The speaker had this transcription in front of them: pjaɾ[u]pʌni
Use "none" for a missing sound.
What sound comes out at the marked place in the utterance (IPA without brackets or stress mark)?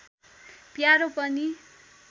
o